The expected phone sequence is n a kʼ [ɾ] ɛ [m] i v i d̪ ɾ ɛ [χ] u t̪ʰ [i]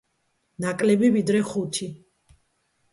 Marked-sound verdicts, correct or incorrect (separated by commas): incorrect, incorrect, correct, correct